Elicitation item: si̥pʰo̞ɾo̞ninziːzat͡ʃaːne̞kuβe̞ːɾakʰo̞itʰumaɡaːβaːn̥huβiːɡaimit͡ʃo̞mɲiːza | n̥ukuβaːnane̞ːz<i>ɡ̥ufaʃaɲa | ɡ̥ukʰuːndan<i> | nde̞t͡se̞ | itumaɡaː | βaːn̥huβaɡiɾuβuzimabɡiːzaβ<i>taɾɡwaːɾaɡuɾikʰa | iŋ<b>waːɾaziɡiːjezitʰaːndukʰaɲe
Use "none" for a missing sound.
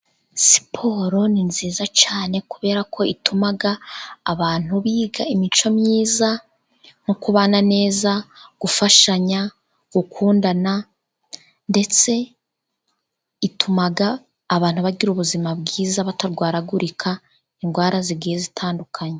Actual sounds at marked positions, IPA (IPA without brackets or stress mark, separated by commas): a, a, a, ɡ